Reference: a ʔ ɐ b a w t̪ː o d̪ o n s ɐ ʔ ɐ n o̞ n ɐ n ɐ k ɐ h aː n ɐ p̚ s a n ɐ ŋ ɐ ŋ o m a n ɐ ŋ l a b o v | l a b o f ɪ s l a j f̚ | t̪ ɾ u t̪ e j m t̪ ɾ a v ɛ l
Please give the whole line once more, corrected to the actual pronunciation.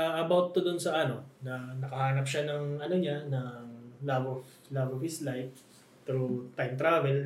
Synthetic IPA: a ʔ ɐ b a w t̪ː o d̪ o n s ɐ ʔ ɐ n o̞ n ɐ n ɐ k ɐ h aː n ɐ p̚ ʃ a n ɐ ŋ ɐ n o ɲ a n ɐ ŋ l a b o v | l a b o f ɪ s l a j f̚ | t̪ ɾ u t̪ a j m t̪ ɾ a v ɛ l